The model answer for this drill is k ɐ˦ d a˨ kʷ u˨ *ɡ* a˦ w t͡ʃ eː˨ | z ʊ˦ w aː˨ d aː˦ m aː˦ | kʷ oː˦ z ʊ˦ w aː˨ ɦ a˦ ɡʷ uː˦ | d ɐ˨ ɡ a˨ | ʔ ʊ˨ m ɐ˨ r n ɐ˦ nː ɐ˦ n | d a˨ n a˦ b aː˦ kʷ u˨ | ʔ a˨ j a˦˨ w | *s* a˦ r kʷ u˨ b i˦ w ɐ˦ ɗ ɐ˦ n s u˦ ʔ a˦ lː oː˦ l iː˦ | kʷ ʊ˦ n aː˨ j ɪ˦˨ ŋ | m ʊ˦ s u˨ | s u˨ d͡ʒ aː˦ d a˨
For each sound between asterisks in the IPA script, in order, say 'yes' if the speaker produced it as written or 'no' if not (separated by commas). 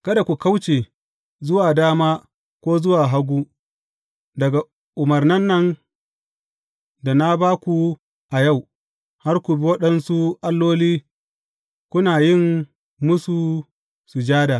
no, no